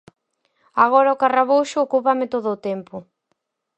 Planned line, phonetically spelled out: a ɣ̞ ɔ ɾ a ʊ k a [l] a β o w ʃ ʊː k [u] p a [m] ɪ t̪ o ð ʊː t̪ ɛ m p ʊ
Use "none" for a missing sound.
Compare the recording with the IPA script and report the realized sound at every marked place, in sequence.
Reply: r, u, m

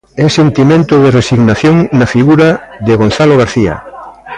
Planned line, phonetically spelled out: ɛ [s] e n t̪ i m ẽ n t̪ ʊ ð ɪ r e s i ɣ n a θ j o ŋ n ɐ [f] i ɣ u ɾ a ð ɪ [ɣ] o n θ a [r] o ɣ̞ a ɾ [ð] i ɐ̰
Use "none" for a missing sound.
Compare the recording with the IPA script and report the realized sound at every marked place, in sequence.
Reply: s, f, ɣ, l, θ

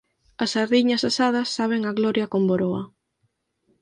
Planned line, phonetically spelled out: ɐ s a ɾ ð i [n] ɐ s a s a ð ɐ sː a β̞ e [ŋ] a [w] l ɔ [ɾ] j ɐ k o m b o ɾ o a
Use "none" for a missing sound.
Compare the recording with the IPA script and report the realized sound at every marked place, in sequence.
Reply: ɲ, ŋ, ɣ, ɾ

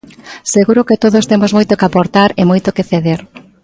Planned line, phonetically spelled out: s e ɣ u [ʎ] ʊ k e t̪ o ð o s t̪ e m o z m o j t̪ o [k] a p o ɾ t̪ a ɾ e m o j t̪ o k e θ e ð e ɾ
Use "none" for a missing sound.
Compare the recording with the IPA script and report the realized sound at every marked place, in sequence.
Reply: ɾ, k

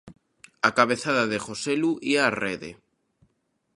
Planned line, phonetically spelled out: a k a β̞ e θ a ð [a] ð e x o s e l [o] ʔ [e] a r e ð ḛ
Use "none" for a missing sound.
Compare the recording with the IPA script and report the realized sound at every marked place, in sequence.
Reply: a, u, i

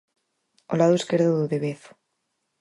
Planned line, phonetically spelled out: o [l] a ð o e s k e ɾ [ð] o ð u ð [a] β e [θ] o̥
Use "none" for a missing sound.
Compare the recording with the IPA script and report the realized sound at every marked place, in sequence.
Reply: l, ð, e, θ

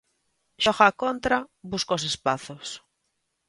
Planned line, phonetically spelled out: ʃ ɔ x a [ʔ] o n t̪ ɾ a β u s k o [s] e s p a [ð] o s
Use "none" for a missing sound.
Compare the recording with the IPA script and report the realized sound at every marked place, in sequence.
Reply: k, s, θ

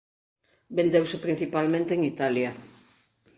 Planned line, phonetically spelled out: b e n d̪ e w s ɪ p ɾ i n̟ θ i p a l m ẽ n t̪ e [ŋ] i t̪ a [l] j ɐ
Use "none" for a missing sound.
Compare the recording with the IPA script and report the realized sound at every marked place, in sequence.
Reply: ŋ, l

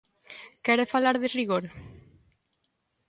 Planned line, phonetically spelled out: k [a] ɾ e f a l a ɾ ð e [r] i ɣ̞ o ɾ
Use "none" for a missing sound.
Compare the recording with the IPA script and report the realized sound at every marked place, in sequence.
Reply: ɛ, r

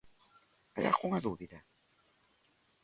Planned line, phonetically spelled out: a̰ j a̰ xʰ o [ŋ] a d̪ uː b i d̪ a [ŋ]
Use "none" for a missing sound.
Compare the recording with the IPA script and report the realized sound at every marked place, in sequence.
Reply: ŋ, none

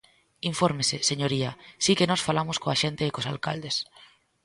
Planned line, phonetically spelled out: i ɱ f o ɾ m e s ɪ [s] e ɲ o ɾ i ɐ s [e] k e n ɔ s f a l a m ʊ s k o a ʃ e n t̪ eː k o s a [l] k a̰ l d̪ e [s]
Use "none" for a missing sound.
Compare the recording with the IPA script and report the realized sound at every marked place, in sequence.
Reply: s, i, l, s

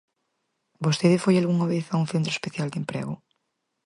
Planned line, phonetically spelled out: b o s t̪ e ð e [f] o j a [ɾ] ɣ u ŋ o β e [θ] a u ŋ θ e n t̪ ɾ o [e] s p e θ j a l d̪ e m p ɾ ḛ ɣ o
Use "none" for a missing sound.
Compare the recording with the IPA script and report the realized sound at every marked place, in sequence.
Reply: f, l, θ, e

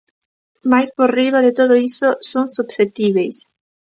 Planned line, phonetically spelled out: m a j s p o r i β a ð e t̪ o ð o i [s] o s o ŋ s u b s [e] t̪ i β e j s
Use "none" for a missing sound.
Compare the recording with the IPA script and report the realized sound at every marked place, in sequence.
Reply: s, e

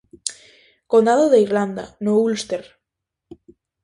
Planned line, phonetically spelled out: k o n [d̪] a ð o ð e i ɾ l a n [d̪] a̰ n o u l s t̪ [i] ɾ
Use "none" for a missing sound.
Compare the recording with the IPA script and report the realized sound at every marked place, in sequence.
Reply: d̪, d̪, e

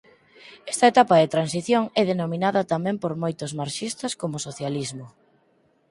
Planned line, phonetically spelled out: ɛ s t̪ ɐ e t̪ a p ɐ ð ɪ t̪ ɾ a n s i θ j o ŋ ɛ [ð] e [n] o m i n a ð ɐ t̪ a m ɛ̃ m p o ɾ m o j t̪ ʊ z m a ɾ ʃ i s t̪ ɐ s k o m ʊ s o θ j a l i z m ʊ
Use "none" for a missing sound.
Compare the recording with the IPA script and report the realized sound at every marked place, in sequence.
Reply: ð, n

